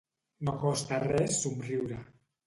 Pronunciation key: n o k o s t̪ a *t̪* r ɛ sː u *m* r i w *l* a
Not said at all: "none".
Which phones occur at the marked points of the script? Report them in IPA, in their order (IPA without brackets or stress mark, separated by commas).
none, m, ɾ